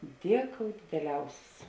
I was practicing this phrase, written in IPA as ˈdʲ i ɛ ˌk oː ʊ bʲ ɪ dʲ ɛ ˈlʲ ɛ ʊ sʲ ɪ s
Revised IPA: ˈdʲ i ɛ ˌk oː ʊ dʲ ɪ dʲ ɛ ˈlʲ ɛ ʊ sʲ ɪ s